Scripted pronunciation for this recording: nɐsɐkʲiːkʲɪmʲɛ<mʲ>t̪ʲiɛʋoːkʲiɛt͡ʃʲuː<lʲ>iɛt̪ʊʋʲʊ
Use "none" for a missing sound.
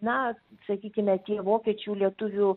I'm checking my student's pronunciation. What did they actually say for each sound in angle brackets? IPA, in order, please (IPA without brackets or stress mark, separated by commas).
none, lʲ